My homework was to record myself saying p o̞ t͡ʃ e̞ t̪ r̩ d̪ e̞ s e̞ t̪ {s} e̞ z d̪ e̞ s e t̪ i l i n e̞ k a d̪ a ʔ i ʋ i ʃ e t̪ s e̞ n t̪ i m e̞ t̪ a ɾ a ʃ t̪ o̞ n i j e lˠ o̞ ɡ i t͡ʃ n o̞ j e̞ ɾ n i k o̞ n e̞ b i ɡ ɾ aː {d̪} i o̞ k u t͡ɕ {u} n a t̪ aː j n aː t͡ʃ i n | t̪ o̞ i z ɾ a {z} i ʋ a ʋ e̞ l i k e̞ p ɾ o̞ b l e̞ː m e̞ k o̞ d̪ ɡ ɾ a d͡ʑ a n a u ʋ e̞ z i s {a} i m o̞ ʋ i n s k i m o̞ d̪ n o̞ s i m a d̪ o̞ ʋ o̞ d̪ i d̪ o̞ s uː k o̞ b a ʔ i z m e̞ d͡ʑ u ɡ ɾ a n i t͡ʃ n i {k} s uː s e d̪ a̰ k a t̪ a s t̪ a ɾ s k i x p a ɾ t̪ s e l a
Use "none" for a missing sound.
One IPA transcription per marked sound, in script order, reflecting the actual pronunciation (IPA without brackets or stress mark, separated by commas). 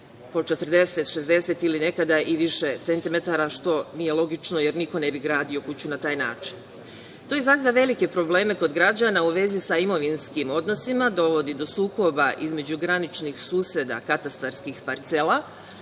ʃ, d̪, u, z, a, x